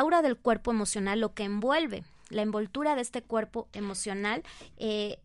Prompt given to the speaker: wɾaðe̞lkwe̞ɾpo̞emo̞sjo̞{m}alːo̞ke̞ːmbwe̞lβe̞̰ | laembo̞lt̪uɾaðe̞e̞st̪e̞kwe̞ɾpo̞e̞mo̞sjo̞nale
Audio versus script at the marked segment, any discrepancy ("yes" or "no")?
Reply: yes